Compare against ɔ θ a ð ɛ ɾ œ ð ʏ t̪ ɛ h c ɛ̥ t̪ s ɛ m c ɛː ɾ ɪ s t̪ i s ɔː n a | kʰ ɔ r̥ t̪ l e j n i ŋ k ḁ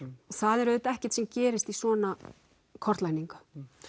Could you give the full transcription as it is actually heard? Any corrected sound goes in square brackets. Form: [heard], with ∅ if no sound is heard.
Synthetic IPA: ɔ θ a ð ɛ ɾ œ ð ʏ t̪ ɛ h c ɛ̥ t̪ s ɛ m c ɛː ɾ ɪ s t̪ i s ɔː n a | kʰ ɔ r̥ t̪ l [a] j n i ŋ k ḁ